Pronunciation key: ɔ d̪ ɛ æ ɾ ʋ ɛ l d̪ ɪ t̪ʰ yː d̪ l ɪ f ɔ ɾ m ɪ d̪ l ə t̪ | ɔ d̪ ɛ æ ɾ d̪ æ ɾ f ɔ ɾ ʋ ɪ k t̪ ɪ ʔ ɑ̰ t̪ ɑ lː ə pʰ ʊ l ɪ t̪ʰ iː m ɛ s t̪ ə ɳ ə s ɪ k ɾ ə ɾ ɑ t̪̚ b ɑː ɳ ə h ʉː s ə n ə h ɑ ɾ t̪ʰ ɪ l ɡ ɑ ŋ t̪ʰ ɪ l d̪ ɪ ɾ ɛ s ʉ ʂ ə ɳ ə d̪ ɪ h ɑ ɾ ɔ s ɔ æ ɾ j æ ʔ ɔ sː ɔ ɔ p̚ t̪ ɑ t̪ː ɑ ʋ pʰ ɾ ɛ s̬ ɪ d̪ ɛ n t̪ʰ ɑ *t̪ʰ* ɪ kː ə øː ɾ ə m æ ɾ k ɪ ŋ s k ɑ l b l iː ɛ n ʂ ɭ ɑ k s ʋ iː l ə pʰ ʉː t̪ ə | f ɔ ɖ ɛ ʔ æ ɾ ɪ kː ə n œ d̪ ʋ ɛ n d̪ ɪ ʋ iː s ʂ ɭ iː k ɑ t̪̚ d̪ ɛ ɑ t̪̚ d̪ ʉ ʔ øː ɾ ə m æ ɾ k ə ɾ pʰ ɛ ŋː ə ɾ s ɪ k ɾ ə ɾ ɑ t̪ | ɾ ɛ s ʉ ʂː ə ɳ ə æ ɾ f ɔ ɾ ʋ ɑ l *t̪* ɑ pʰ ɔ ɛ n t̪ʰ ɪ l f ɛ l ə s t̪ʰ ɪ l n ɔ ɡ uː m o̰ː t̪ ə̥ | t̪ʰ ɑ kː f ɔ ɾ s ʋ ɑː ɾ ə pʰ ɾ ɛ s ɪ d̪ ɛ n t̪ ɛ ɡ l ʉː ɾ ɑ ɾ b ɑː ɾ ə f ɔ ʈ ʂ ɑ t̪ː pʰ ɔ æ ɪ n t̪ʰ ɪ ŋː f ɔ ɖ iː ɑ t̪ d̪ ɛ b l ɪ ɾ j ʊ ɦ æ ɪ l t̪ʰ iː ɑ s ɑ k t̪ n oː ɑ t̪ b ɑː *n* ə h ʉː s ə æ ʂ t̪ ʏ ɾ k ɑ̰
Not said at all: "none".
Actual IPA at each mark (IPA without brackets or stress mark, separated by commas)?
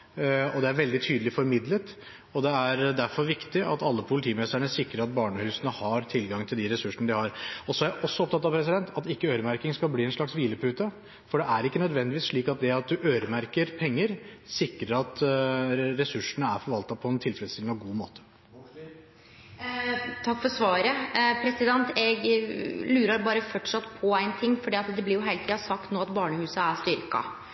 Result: t̪, t̪, ɳ